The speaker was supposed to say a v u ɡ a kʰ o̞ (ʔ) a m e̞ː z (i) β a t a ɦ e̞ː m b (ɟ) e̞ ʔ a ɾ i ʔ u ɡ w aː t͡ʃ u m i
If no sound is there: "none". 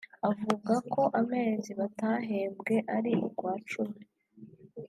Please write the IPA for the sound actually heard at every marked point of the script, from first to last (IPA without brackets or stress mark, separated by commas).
ʔ, i, ɡ